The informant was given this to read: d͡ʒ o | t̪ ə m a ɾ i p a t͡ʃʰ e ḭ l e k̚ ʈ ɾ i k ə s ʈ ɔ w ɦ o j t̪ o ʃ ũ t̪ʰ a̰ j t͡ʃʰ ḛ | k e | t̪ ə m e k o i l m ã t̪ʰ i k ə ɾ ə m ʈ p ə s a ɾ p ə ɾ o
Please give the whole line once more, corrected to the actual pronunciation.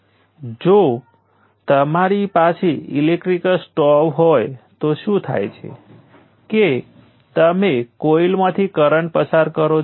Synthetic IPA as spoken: d͡ʒ o | t̪ ə m a ɾ i p a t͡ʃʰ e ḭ l e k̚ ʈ ɾ i k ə s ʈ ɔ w ɦ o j t̪ o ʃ ũ t̪ʰ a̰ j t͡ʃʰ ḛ | k e | t̪ ə m e k o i l m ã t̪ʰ i k ə ɾ ə ɳ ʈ p ə s a ɾ k ə ɾ o